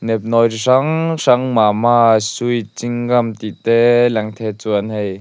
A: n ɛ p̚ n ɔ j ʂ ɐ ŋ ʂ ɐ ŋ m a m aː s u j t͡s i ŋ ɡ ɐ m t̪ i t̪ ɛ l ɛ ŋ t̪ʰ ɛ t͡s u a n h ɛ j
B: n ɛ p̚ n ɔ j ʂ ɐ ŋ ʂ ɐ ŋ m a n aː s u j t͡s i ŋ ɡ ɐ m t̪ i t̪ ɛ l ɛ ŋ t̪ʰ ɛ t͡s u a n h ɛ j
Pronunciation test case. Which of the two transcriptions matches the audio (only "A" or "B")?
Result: A